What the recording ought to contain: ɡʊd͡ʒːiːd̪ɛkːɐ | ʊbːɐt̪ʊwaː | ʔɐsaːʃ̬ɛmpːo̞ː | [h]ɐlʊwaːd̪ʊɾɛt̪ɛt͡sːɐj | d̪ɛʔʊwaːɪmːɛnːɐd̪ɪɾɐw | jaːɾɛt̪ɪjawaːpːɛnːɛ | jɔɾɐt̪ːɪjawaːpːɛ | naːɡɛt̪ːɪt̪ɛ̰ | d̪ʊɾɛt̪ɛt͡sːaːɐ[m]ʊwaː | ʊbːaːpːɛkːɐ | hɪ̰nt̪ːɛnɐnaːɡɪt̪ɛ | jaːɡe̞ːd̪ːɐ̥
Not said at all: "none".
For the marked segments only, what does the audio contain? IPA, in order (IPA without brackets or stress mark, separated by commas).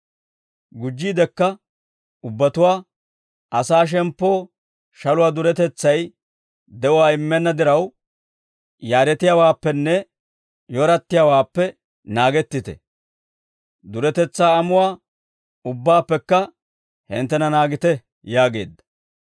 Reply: ʃ, m